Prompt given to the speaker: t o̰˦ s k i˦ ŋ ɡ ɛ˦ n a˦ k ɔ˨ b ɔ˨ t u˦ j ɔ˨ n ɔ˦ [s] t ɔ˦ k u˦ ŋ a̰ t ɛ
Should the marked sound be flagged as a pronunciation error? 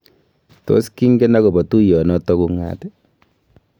yes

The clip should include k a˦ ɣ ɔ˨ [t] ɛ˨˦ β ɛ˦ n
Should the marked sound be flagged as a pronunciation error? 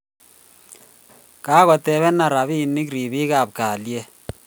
no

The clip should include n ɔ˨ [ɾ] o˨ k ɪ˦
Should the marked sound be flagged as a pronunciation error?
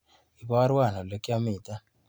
yes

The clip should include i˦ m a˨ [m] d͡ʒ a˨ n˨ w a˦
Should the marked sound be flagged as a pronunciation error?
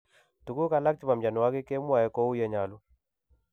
no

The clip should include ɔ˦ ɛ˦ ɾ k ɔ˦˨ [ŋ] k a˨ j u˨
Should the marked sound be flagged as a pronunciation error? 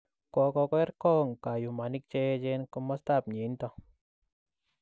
no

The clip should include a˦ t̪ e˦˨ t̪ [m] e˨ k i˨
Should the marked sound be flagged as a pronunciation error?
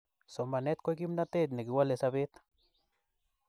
yes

